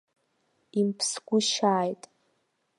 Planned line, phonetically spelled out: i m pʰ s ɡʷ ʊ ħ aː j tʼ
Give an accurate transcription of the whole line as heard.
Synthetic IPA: i m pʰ s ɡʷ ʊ ʃ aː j tʼ